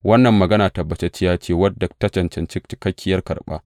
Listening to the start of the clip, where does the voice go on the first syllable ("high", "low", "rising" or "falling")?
high